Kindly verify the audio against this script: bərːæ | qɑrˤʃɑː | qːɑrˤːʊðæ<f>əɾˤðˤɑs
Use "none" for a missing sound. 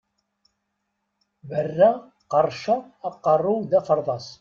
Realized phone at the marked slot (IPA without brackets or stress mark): f